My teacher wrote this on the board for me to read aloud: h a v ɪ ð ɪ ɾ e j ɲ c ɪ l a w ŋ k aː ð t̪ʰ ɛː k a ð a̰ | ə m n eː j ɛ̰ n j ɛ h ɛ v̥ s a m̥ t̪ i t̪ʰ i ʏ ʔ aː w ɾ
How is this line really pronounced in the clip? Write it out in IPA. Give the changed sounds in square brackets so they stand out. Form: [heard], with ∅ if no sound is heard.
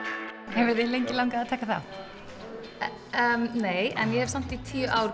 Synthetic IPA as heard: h [ɛ] v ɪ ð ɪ [l] e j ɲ c ɪ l a w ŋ k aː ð t̪ʰ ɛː k a [θ] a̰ | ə m n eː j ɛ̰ n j ɛ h ɛ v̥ s a m̥ t̪ i t̪ʰ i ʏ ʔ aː w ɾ

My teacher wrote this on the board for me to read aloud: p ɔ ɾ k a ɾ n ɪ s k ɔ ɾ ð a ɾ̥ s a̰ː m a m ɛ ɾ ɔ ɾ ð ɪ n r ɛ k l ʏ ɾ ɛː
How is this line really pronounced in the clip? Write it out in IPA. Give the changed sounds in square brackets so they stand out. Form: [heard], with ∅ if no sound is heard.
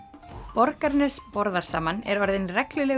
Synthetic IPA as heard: p ɔ ɾ k a ɾ n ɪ s [p] ɔ ɾ ð a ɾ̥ s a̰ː m a [n] ɛ ɾ ɔ ɾ ð ɪ n r ɛ k l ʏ [l] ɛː

